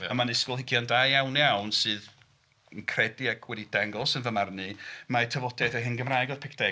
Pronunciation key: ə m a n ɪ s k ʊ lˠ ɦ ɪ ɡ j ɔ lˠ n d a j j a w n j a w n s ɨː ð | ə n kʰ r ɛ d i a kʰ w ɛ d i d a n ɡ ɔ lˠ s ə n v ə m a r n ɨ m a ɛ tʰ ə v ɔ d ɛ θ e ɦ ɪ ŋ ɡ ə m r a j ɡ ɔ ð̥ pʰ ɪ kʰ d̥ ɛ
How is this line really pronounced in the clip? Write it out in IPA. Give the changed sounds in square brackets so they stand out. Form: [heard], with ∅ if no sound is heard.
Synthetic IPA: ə m a n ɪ s k ʊ lˠ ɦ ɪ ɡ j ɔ [∅] n d a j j a w n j a w n s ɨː ð | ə n kʰ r ɛ d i a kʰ w ɛ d i d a [ŋ] ɡ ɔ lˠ s ə n v ə m a r n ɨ m a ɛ tʰ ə v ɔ d ɛ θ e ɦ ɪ [n] ɡ ə m r a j ɡ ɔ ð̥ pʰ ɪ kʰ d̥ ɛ